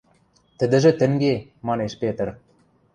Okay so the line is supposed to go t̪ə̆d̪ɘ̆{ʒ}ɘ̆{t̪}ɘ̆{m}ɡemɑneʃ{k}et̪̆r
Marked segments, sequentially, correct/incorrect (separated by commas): correct, correct, incorrect, incorrect